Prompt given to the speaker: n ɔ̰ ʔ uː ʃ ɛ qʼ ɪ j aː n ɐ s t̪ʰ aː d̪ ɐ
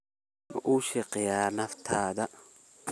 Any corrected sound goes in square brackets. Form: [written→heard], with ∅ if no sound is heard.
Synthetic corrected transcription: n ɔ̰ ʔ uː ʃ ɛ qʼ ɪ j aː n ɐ [s→f] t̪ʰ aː d̪ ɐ